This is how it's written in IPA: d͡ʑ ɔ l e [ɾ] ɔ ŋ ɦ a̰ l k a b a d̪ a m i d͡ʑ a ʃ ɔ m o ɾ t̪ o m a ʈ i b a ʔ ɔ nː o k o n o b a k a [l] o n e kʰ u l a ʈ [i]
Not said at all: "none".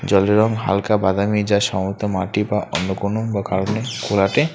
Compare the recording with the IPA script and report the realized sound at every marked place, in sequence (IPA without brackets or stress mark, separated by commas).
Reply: ɾ, ɾ, e